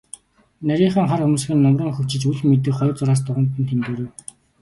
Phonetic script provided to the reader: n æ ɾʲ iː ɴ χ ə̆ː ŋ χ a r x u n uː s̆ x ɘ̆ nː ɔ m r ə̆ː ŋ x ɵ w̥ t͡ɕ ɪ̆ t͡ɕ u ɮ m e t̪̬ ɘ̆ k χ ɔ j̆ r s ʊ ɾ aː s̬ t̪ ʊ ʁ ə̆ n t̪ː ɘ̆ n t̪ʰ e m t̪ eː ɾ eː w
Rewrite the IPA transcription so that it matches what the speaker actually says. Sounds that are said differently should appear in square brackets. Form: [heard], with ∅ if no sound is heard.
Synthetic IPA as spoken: n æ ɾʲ iː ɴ χ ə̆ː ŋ χ a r x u [m] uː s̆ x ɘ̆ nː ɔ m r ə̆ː ŋ x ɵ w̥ t͡ɕ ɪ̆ t͡ɕ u ɮ m e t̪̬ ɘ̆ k χ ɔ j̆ r [t͡s] ʊ ɾ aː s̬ t̪ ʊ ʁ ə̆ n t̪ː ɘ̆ n t̪ʰ e m t̪ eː ɾ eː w